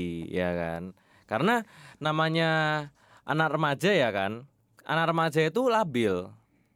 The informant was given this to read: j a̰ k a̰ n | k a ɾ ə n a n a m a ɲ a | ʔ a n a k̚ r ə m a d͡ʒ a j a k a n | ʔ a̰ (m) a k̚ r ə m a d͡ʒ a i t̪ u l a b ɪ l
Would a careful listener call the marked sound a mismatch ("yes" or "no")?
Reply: yes